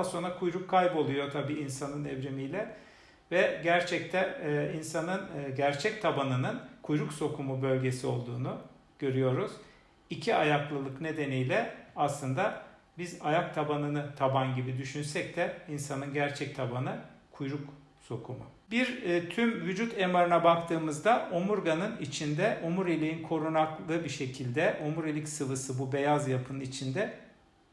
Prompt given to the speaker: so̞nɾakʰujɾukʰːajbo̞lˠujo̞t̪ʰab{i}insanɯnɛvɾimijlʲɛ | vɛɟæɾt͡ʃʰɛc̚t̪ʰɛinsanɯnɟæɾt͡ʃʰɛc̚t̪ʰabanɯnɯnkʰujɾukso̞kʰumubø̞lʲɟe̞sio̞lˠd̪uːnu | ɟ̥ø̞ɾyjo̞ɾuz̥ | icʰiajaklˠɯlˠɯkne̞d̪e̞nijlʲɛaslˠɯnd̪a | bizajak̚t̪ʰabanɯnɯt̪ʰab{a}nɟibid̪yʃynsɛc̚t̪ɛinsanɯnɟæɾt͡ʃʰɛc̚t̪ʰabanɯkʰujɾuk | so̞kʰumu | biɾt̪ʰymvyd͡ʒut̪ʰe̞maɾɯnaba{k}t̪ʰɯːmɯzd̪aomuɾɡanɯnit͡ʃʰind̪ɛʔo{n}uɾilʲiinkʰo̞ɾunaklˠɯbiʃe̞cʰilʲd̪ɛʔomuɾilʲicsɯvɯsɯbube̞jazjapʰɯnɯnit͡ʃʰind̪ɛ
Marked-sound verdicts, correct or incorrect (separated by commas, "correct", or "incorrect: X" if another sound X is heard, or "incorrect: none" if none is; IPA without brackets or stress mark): incorrect: iː, correct, correct, incorrect: m